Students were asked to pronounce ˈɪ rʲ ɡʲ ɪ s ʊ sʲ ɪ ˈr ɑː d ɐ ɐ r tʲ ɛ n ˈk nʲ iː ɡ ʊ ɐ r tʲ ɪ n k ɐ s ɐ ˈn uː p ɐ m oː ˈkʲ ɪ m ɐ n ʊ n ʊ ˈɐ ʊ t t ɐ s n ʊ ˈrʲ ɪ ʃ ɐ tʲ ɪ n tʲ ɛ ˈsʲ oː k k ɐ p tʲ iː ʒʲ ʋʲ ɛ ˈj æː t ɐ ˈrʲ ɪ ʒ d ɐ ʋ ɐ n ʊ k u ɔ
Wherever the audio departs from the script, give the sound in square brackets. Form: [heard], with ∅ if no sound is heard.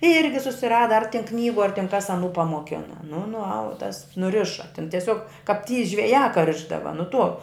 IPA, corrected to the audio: ˈɪ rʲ ɡʲ ɪ s ʊ sʲ ɪ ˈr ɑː d ɐ ɐ r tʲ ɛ n ˈk nʲ iː ɡ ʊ ɐ r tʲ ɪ n k ɐ s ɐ ˈn uː p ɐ m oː ˈkʲ ɪ [n] ɐ n ʊ n ʊ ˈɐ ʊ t t ɐ s n ʊ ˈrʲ ɪ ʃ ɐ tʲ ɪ n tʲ ɛ ˈsʲ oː k k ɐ p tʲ iː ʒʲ ʋʲ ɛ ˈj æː [k] ɐ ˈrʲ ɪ ʒ d ɐ ʋ ɐ n ʊ [t] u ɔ

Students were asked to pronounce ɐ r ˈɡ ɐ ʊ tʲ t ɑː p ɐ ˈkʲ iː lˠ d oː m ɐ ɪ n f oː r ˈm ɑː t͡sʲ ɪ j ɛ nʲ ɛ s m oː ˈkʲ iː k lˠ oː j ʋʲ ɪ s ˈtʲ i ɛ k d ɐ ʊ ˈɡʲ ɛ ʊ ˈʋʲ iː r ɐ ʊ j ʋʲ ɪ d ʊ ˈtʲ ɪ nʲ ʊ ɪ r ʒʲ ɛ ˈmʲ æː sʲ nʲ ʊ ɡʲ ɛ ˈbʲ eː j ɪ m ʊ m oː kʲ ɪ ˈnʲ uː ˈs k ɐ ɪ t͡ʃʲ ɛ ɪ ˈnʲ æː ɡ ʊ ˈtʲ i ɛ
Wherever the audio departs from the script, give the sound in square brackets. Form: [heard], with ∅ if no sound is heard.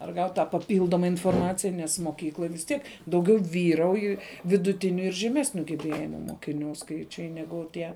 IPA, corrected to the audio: ɐ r ˈɡ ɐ ʊ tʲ t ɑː p ɐ [ˈpʲ] iː lˠ d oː m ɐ ɪ n f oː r ˈm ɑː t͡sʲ ɪ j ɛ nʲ ɛ s m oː ˈkʲ iː k lˠ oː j ʋʲ ɪ s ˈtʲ i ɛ k d ɐ ʊ ˈɡʲ ɛ ʊ ˈʋʲ iː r ɐ ʊ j ʋʲ ɪ d ʊ ˈtʲ ɪ nʲ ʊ ɪ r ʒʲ ɛ ˈmʲ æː sʲ nʲ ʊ ɡʲ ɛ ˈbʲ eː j ɪ m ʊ m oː kʲ ɪ ˈnʲ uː ˈs k ɐ ɪ t͡ʃʲ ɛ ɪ ˈnʲ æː ɡ ʊ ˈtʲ i ɛ

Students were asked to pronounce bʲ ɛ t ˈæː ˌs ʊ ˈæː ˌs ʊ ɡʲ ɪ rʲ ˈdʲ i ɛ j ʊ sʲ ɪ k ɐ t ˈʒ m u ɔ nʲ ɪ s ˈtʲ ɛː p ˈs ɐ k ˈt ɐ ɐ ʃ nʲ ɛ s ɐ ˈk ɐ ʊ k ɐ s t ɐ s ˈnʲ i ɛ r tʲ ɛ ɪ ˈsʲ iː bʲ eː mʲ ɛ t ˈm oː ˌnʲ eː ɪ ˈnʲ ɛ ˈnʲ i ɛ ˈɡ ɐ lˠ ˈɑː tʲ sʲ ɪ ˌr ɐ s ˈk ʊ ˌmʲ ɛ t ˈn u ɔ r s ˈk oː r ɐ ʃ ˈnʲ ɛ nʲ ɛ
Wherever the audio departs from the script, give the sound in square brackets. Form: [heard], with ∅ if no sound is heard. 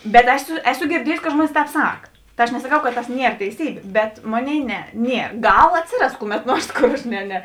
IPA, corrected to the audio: bʲ ɛ t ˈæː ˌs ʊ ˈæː ˌs ʊ ɡʲ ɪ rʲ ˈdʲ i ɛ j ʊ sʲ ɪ k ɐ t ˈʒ m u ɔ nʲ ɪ s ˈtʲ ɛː p ˈs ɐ k ˈt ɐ ɐ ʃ nʲ ɛ s ɐ ˈk ɐ ʊ k ɐ [t] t ɐ s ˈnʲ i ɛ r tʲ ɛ ɪ ˈsʲ iː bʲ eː [bʲ] ɛ t ˈm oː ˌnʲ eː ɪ ˈnʲ ɛ ˈnʲ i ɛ ˈɡ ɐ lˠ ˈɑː tʲ sʲ ɪ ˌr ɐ s ˈk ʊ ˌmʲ ɛ t ˈn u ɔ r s ˈk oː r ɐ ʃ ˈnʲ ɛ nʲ ɛ

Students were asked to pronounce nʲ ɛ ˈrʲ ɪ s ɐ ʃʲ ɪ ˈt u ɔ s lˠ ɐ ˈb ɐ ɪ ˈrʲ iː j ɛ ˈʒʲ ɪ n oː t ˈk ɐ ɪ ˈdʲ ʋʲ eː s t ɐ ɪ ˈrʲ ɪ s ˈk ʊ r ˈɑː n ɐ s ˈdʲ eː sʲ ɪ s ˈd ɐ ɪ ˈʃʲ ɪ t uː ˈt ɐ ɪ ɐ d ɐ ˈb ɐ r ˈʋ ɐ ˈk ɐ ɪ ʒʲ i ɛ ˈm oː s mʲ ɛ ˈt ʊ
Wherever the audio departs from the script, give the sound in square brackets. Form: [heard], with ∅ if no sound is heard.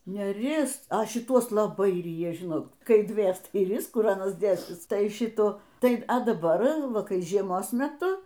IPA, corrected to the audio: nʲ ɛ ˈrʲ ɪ s ɐ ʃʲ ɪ ˈt u ɔ s lˠ ɐ ˈb ɐ ɪ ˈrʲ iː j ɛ ˈʒʲ ɪ n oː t ˈk ɐ ɪ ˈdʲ ʋʲ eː s t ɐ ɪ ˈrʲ ɪ s ˈk ʊ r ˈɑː n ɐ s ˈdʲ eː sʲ ɪ s [ˈt] ɐ ɪ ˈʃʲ ɪ t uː ˈt ɐ ɪ ɐ d ɐ ˈb ɐ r ˈʋ ɐ ˈk ɐ ɪ ʒʲ i ɛ ˈm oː s mʲ ɛ ˈt ʊ

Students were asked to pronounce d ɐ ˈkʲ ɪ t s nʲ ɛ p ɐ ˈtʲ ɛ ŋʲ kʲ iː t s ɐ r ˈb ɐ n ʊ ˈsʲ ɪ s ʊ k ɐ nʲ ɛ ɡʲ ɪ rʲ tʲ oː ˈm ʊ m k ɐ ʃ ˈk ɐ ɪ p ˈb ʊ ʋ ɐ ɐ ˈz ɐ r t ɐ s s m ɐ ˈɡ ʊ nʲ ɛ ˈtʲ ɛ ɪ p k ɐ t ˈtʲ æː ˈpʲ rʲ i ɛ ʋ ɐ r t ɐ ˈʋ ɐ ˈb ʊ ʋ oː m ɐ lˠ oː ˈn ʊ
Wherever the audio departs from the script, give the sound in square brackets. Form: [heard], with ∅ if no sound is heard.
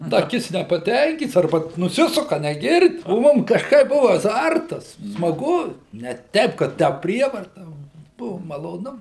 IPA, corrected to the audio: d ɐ ˈkʲ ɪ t s nʲ ɛ p ɐ ˈtʲ ɛ ŋʲ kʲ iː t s ɐ r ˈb ɐ n ʊ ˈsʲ ɪ s ʊ k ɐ nʲ ɛ ɡʲ ɪ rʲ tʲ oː ˈm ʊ m k ɐ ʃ ˈk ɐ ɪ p ˈb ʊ ʋ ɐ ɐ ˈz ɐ r t ɐ s s m ɐ ˈɡ ʊ nʲ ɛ ˈtʲ ɛ ɪ p k ɐ t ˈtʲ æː ˈpʲ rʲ i ɛ ʋ ɐ r t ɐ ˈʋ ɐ ˈb ʊ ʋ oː m ɐ lˠ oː ˈn ʊ

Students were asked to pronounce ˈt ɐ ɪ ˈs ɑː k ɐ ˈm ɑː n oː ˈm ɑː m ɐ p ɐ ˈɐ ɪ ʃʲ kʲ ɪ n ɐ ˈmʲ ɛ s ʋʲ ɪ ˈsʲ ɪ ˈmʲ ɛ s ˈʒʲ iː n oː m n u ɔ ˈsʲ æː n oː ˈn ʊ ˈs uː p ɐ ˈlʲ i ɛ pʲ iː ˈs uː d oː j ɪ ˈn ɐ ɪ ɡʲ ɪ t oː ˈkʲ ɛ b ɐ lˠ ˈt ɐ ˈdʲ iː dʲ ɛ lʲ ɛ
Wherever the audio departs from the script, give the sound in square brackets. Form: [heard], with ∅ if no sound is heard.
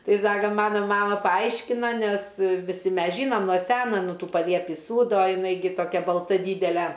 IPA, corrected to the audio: ˈt ɐ ɪ ˈs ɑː k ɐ ˈm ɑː n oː ˈm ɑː m ɐ p ɐ ˈɐ ɪ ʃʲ kʲ ɪ n ɐ [ˈnʲ] ɛ s ʋʲ ɪ ˈsʲ ɪ ˈmʲ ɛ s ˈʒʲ iː n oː m n u ɔ ˈsʲ æː n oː ˈn ʊ [ˈt] uː p ɐ ˈlʲ i ɛ pʲ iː ˈs uː d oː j ɪ ˈn ɐ ɪ ɡʲ ɪ t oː ˈkʲ ɛ b ɐ lˠ ˈt ɐ ˈdʲ iː dʲ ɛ lʲ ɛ

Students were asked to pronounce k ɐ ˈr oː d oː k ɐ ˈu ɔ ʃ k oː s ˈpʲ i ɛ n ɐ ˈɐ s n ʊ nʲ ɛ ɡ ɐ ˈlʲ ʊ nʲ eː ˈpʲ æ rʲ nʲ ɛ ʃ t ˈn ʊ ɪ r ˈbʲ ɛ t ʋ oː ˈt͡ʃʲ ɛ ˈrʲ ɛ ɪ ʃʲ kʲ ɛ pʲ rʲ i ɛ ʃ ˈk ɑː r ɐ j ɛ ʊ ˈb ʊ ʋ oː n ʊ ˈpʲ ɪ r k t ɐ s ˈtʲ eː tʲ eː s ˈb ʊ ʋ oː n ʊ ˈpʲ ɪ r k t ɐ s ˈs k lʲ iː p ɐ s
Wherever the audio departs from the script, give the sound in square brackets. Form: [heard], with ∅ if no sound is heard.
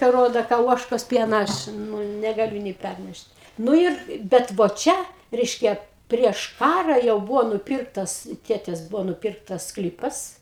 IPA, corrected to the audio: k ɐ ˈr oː d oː k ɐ ˈu ɔ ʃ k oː s ˈpʲ i ɛ n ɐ ˈɐ [ʃ] n ʊ nʲ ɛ ɡ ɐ ˈlʲ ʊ nʲ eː ˈpʲ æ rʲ nʲ ɛ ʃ t ˈn ʊ ɪ r ˈbʲ ɛ t ʋ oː ˈt͡ʃʲ ɛ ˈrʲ ɛ ɪ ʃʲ kʲ ɛ pʲ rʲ i ɛ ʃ ˈk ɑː r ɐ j ɛ ʊ ˈb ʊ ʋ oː n ʊ ˈpʲ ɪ r k t ɐ s ˈtʲ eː tʲ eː s ˈb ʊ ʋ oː n ʊ ˈpʲ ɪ r k t ɐ s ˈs k lʲ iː p ɐ s

